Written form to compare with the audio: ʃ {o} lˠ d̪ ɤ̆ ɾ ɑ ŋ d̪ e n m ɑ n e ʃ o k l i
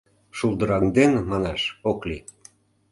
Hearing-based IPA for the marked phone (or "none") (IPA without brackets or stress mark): u